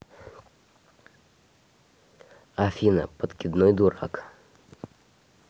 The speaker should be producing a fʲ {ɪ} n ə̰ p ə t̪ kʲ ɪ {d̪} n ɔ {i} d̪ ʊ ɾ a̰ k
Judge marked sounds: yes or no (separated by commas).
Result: no, yes, no